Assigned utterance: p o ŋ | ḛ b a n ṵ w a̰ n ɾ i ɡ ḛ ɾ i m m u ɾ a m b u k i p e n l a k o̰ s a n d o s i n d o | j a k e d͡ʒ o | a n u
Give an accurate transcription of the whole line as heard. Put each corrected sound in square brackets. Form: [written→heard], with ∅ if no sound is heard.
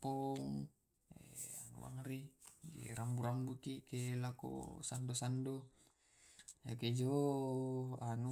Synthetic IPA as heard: p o ŋ | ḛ [b→∅] a n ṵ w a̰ [n→ŋ] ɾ i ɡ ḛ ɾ [i→a] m [m→b] u ɾ a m b u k i [p→k] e [n→∅] l a k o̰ s a n d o s [i→a] n d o | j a k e d͡ʒ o | a n u